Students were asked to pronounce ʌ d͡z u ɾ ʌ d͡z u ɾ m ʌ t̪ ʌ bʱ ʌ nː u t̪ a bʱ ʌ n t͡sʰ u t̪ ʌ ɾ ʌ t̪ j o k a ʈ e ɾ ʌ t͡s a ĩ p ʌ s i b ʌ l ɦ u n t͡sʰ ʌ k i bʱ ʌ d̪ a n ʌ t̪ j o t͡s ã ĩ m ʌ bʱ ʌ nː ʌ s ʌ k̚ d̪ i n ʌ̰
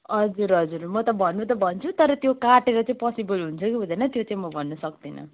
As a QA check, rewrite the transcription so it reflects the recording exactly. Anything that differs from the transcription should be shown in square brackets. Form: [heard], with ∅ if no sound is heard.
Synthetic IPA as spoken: ʌ d͡z u ɾ ʌ d͡z u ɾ m ʌ t̪ ʌ bʱ ʌ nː u t̪ [ʌ] bʱ ʌ n t͡sʰ u t̪ ʌ ɾ ʌ t̪ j o k a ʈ e ɾ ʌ t͡s a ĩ p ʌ s i b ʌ l ɦ u n t͡sʰ ʌ k i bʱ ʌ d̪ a n ʌ t̪ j o t͡s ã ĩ m ʌ bʱ ʌ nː ʌ s ʌ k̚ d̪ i n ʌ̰